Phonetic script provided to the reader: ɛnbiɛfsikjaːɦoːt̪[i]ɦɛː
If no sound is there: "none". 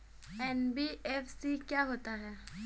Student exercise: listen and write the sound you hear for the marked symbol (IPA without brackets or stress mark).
a